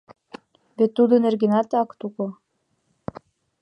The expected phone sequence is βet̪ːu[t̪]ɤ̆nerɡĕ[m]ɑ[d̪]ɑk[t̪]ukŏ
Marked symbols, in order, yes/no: no, no, no, yes

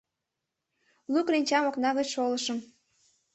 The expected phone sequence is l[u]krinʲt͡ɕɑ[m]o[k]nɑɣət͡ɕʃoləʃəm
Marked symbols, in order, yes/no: yes, yes, yes

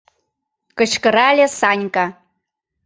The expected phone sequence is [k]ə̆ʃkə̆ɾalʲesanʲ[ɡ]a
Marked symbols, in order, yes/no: yes, no

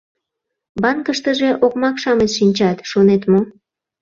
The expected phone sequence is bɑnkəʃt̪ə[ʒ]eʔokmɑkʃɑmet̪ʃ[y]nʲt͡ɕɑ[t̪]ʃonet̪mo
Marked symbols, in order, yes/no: yes, no, yes

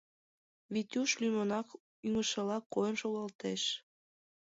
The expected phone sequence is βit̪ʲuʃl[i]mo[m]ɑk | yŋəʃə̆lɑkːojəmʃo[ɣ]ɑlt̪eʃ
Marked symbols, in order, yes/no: no, no, yes

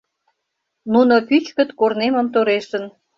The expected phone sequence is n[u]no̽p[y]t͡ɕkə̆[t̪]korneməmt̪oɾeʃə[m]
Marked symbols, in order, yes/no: yes, yes, yes, no

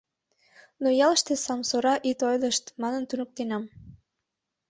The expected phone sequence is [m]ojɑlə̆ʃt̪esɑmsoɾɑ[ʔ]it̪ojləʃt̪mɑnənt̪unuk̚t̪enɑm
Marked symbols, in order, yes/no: no, yes

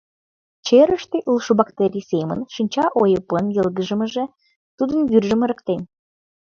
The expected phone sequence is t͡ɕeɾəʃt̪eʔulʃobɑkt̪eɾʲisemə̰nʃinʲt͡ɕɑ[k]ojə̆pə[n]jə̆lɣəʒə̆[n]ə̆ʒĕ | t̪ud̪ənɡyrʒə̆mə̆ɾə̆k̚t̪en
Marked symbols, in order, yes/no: no, yes, no

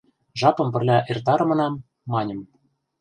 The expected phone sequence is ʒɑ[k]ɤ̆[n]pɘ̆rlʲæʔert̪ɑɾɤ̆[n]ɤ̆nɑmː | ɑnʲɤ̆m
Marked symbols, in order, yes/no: no, no, no

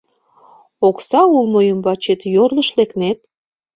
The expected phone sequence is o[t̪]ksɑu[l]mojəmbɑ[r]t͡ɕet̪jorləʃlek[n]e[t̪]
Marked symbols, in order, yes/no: no, yes, no, yes, yes

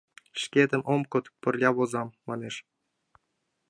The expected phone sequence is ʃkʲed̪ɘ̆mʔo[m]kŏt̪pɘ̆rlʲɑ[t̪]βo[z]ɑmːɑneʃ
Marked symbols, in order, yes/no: yes, no, yes

